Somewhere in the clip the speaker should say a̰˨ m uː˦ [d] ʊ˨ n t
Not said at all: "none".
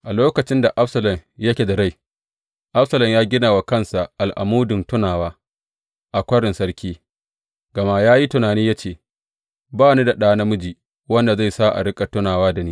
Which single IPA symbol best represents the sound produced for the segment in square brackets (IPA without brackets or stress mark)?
d